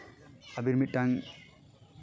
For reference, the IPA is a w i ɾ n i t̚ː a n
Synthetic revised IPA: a b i ɾ m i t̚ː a ŋ